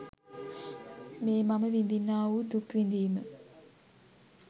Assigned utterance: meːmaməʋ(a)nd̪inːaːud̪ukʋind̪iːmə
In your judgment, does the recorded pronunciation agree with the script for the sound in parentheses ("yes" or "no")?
no